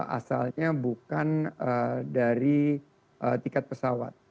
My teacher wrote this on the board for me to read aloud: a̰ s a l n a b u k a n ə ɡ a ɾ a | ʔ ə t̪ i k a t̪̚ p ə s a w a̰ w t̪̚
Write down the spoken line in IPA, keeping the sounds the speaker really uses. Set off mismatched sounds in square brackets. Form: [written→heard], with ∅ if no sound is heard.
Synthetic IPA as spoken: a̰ s a l [n→ɲ] a b u k a n ə [ɡ→d] a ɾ [a→i] | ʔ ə t̪ i k a t̪̚ p ə s a w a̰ [w→∅] t̪̚